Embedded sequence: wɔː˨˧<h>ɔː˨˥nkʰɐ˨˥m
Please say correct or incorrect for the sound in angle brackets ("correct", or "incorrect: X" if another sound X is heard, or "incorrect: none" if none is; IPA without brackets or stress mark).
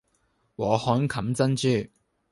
correct